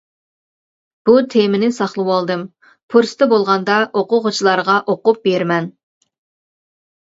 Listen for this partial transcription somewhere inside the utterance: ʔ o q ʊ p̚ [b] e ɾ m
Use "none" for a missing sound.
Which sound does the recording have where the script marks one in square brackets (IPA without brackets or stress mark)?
b